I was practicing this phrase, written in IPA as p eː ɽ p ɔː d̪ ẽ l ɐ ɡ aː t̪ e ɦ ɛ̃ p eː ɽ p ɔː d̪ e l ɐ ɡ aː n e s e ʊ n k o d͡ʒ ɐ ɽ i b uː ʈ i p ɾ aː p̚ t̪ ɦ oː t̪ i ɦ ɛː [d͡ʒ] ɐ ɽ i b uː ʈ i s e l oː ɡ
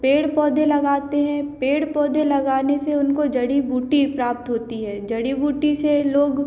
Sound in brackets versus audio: correct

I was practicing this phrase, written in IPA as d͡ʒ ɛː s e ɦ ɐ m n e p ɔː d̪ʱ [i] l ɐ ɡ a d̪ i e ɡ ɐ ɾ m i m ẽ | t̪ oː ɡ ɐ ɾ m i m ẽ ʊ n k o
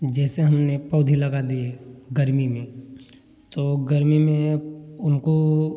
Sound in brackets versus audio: correct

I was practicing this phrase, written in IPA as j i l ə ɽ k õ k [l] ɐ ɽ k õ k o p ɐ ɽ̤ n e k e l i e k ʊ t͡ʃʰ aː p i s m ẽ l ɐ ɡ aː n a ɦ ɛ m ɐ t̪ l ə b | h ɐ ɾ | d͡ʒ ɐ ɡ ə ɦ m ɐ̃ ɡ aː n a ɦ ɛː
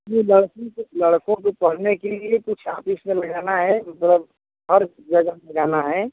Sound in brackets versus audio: correct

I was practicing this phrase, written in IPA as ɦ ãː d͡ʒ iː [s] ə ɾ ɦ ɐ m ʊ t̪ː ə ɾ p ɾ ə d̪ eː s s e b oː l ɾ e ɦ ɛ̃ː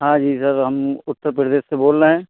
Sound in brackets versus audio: correct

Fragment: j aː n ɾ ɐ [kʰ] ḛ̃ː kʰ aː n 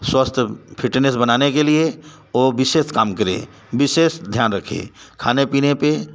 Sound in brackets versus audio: correct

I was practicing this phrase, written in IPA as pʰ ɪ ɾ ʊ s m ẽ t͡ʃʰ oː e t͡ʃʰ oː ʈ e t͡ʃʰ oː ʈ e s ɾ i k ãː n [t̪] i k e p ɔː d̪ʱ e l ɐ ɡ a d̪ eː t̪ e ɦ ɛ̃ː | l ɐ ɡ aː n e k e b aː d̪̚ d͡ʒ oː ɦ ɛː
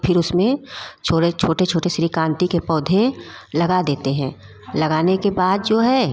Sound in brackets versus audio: correct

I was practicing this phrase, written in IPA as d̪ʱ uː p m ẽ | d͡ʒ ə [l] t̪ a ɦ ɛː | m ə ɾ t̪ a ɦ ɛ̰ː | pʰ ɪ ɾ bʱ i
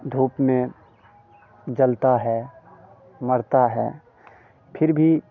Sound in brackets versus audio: correct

